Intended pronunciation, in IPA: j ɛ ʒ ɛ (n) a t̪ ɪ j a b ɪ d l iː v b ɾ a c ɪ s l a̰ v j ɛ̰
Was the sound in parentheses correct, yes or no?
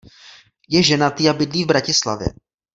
yes